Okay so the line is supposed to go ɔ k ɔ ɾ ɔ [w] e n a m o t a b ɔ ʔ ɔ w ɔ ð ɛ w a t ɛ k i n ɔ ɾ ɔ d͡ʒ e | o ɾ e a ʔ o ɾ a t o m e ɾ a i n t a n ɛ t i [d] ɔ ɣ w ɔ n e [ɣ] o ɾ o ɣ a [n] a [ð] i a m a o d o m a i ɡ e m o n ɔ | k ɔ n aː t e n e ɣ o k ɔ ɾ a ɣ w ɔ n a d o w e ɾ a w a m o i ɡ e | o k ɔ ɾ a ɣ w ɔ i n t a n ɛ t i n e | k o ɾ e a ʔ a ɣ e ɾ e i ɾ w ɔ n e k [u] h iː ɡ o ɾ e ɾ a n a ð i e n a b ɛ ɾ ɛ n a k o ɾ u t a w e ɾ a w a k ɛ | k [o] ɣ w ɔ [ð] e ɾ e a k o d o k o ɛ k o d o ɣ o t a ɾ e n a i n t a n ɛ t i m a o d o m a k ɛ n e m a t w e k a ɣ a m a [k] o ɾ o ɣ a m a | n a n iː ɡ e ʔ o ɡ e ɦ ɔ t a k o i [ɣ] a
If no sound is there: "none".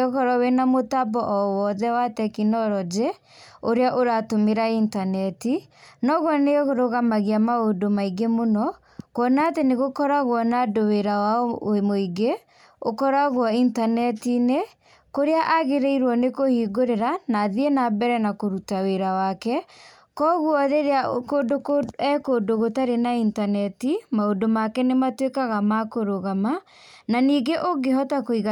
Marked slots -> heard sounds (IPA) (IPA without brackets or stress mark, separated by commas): w, n, ɣ, m, ɣ, o, ɔ, ð, k, ɣ